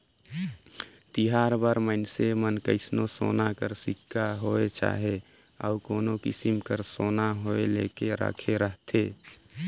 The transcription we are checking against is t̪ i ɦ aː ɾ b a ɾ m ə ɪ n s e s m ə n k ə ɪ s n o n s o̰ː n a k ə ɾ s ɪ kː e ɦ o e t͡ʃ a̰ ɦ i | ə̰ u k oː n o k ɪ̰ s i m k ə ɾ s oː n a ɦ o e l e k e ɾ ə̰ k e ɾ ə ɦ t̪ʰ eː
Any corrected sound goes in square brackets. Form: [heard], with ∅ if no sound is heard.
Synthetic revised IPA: t̪ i ɦ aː ɾ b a ɾ m ə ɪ n s e [∅] m ə n k ə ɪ s n o [∅] s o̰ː n a k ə ɾ s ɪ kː [a] ɦ o e t͡ʃ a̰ ɦ [e] | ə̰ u k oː n o k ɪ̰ s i m k ə ɾ s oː n a ɦ o e l e k e ɾ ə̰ [kʰ] e ɾ ə ɦ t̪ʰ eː